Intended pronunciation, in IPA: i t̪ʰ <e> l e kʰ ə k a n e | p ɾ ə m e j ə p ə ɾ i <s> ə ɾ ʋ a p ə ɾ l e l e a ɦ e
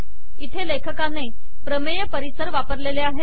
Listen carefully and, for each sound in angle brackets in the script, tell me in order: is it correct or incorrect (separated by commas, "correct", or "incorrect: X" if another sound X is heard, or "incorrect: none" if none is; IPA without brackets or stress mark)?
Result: correct, correct